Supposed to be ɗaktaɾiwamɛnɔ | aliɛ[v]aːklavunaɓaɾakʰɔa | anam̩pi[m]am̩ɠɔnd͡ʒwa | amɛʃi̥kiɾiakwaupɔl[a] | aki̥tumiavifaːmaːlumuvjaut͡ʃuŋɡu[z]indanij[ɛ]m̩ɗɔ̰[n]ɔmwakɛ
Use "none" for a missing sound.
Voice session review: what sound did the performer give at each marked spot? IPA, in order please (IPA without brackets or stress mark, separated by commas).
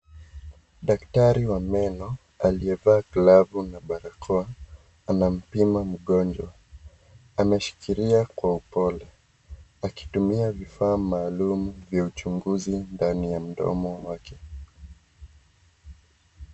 v, m, ɛ, z, a, m